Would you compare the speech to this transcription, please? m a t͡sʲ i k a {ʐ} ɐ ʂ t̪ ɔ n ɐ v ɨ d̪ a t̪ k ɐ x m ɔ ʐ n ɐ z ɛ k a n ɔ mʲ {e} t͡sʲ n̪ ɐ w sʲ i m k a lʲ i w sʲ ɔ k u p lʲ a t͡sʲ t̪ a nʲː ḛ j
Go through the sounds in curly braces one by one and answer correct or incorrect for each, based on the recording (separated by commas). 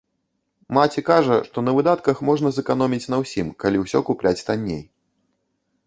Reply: correct, incorrect